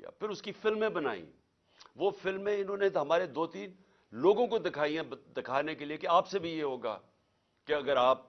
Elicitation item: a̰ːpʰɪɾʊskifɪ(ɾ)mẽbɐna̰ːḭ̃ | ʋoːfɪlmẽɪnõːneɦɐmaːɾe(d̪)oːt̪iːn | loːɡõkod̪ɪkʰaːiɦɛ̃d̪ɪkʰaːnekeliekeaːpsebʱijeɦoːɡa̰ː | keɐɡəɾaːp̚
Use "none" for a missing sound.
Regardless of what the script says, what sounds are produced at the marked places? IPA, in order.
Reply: l, d̪

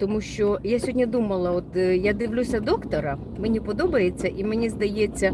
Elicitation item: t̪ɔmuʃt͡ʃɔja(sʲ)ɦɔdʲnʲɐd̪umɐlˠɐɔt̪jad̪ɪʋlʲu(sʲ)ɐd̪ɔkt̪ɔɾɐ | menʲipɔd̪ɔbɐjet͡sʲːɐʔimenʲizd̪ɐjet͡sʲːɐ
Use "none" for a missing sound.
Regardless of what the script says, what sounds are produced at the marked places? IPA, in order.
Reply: sʲ, sʲ

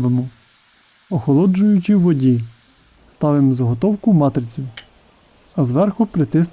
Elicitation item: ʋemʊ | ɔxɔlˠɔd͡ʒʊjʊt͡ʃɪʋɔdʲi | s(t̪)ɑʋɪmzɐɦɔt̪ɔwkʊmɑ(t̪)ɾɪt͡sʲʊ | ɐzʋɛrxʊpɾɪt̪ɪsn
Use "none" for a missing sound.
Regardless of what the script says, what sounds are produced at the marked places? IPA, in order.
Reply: t̪, t̪

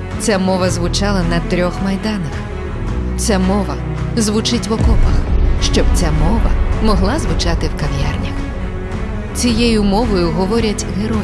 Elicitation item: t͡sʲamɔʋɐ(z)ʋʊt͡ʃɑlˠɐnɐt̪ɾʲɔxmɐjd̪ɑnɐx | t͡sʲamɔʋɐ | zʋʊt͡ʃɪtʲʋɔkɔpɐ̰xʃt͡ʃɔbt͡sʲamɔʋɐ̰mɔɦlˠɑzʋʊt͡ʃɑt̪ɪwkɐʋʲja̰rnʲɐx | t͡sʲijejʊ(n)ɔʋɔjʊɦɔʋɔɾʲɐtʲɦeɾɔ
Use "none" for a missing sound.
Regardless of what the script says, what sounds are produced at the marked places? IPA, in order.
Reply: z, m

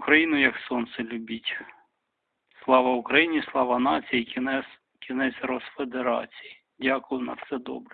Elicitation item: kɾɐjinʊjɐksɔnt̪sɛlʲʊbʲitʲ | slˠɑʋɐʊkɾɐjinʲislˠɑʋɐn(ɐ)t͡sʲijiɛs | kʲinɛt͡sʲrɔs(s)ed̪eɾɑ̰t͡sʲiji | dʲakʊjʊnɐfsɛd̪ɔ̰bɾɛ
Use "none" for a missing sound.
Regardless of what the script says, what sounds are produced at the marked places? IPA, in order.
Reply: ɑ, f

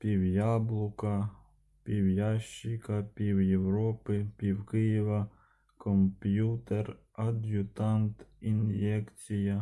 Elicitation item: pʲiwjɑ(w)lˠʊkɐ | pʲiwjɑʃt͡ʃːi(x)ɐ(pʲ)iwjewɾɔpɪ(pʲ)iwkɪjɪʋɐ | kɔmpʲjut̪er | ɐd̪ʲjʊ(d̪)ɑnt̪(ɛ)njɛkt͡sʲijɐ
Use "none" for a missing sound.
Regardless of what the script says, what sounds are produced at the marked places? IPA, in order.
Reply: b, k, pʲ, pʲ, t̪, i

